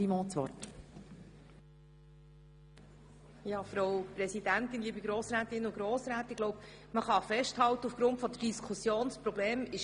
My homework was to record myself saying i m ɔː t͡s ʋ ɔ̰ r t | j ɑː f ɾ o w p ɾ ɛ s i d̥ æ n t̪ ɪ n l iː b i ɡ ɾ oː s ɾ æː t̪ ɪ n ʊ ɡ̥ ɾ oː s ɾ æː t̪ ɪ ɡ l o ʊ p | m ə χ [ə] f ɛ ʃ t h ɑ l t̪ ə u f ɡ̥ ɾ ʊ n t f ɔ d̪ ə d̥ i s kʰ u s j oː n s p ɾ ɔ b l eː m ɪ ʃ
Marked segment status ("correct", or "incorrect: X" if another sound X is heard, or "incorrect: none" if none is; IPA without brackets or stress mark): incorrect: ɑ